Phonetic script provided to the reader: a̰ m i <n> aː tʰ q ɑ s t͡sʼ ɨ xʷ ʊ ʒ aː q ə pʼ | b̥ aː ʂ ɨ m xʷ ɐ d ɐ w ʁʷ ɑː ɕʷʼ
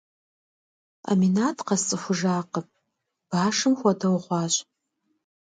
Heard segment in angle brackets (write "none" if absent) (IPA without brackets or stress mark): n